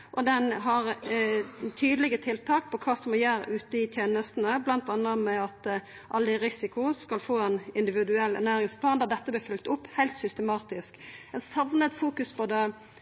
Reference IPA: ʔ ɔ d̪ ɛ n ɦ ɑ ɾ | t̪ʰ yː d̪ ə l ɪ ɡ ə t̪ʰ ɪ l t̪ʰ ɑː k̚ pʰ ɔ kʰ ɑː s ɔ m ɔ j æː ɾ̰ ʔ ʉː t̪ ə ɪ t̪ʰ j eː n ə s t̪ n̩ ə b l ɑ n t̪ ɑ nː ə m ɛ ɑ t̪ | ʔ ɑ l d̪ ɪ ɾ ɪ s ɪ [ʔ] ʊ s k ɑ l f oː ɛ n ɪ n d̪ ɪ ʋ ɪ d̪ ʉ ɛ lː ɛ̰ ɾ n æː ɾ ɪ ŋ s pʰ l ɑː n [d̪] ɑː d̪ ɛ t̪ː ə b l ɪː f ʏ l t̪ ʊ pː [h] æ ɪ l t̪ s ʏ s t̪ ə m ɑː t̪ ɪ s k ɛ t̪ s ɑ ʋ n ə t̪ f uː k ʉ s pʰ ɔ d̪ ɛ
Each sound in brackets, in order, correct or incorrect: incorrect: k, correct, correct

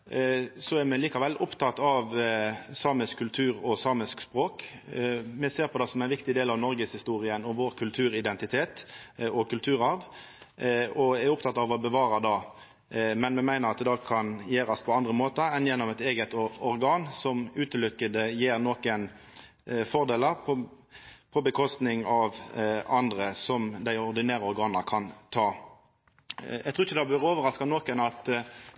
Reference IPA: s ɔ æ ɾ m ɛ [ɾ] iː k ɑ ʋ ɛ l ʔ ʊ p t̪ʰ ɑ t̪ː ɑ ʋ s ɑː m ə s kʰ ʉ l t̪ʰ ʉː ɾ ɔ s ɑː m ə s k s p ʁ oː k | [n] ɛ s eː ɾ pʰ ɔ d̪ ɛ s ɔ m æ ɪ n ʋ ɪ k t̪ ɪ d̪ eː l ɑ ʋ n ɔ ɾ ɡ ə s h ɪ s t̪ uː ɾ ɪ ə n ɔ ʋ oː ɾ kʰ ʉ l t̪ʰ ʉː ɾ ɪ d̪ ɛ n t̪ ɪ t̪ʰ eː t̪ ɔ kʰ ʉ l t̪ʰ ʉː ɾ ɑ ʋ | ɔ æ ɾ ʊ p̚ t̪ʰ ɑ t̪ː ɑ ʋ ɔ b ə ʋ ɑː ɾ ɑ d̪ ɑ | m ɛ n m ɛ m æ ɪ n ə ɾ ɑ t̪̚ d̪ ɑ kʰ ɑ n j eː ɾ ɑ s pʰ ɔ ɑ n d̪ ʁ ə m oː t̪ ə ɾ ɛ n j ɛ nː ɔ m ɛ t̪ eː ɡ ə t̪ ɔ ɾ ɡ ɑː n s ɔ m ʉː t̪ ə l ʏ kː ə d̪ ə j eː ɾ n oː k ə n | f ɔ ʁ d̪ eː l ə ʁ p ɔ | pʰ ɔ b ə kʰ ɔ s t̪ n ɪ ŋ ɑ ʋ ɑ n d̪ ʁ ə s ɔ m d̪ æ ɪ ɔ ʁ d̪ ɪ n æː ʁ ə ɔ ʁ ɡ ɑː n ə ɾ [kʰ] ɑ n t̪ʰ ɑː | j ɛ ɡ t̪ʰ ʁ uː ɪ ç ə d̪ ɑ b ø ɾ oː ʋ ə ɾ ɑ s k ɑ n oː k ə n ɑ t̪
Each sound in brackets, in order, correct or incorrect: incorrect: l, incorrect: m, correct

